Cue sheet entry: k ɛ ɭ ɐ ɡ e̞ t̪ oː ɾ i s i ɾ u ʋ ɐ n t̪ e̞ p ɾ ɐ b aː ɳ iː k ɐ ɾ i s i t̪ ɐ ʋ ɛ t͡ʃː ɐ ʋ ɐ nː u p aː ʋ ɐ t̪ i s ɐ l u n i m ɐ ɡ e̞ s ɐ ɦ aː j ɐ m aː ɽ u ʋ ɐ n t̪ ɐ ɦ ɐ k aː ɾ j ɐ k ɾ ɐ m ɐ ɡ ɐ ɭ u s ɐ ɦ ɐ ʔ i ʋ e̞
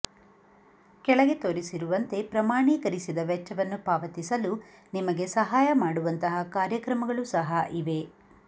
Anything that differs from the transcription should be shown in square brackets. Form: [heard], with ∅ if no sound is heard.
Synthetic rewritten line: k ɛ ɭ ɐ ɡ e̞ t̪ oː ɾ i s i ɾ u ʋ ɐ n t̪ e̞ p ɾ ɐ [m] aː ɳ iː k ɐ ɾ i s i [d̪] ɐ ʋ ɛ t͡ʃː ɐ ʋ ɐ nː u p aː ʋ ɐ t̪ i s ɐ l u n i m ɐ ɡ e̞ s ɐ ɦ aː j ɐ m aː ɽ u ʋ ɐ n t̪ ɐ ɦ ɐ k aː ɾ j ɐ k ɾ ɐ m ɐ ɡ ɐ ɭ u s ɐ ɦ ɐ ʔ i ʋ e̞